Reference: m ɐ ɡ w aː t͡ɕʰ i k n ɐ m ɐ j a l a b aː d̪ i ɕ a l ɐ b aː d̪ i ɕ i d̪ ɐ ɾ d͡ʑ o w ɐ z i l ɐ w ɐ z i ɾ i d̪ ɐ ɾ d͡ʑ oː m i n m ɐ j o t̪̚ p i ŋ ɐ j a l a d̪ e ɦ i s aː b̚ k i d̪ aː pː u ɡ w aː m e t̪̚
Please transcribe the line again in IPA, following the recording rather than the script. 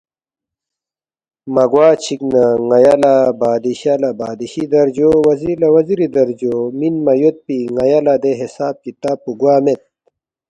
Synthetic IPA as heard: m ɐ ɡ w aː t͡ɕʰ i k n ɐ ŋ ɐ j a l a b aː d̪ i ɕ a l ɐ b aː d̪ i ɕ i d̪ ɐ ɾ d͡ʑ o w ɐ z i l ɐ w ɐ z i ɾ i d̪ ɐ ɾ d͡ʑ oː m i n m ɐ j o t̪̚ p i ŋ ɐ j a l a d̪ e ɦ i s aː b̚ k i t̪ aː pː u ɡ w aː m e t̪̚